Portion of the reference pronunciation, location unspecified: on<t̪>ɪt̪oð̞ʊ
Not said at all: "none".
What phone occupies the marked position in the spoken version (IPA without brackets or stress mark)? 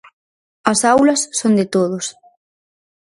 d̪